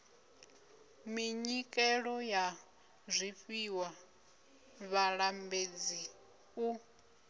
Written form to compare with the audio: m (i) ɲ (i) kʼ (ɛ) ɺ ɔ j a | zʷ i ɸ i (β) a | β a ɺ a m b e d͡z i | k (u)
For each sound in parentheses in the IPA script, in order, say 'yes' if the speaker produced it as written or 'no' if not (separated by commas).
yes, yes, yes, no, yes